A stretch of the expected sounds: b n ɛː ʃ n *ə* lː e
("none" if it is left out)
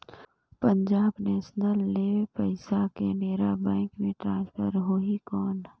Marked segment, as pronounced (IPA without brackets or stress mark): ə